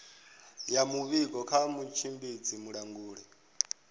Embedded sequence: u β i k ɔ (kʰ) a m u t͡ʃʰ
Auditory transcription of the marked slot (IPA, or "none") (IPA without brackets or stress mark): kʰ